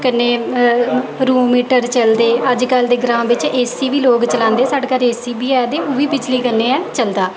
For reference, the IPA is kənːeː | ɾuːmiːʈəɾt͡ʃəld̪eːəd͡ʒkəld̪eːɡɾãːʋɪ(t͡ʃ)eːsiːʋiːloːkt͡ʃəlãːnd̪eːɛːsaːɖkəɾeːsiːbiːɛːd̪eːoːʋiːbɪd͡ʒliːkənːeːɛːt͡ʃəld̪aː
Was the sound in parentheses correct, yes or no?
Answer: yes